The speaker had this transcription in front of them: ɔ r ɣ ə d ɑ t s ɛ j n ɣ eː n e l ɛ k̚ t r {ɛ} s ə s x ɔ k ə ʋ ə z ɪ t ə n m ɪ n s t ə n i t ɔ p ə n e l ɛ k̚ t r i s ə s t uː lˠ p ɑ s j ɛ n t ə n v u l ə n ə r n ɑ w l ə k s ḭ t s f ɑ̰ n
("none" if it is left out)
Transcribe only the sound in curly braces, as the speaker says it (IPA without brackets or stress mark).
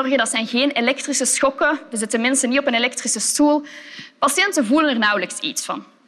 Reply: i